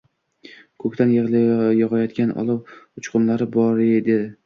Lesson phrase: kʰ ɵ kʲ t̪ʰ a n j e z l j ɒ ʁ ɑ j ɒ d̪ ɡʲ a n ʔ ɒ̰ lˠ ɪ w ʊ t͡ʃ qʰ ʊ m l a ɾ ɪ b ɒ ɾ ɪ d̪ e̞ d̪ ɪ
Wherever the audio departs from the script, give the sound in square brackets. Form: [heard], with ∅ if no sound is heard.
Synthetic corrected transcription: kʰ ɵ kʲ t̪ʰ a n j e [ʁ] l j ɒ ʁ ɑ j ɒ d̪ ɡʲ a n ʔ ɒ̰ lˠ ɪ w ʊ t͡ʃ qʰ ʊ m l a ɾ ɪ b ɒ ɾ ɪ d̪ e̞ d̪ ɪ